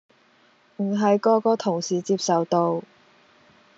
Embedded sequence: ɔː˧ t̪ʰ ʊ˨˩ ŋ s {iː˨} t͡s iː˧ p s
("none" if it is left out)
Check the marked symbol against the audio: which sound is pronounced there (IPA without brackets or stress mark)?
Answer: iː˨